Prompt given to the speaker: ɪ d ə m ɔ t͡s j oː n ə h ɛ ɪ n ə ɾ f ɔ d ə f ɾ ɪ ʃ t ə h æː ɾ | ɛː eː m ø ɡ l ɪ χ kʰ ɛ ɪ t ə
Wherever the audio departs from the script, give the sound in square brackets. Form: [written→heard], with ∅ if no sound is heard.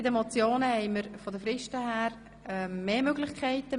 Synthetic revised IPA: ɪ d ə m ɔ t͡s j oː n ə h ɛ ɪ [n→m] ə ɾ f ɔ d ə f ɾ ɪ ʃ t ə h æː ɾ | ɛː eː m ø ɡ l ɪ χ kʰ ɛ ɪ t ə